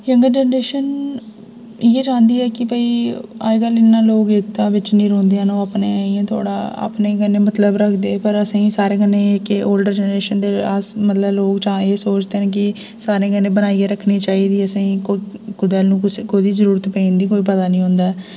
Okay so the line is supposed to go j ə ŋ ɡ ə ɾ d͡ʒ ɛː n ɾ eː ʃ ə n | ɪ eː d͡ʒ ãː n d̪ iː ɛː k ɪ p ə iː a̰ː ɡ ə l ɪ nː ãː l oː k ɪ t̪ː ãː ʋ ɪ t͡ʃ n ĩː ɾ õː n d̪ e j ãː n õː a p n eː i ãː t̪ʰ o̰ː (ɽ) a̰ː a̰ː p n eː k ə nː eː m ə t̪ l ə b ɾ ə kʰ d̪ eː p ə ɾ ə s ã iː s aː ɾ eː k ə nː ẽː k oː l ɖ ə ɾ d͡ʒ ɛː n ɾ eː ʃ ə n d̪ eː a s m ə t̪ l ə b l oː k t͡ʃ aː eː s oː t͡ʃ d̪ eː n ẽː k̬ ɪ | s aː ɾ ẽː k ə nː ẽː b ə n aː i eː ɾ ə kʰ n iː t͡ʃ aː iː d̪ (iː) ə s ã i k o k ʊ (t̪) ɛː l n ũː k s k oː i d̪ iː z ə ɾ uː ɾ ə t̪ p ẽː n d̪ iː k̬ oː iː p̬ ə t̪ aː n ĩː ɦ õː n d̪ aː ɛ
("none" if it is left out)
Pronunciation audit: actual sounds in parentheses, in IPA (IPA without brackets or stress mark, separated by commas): ɽ, iː, d̪